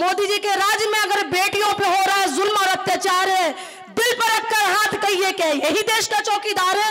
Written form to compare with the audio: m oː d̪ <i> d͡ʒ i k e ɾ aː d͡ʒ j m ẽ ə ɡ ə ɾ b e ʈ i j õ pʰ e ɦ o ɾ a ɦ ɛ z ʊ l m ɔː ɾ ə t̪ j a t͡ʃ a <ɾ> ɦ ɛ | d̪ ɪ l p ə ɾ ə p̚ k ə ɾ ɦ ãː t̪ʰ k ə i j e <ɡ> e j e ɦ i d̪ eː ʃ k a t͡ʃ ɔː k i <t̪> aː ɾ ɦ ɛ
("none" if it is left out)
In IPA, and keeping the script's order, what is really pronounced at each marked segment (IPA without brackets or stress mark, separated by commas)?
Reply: i, ɾ, k, d̪